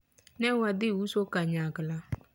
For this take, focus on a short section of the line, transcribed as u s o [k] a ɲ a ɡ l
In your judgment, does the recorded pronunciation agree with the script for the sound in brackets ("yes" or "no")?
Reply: yes